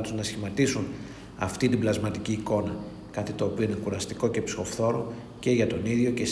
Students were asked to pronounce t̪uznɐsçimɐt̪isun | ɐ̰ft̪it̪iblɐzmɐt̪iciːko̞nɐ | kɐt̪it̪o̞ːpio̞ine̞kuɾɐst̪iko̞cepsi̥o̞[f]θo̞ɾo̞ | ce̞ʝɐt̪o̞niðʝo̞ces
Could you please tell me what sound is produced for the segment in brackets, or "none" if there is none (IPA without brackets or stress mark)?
f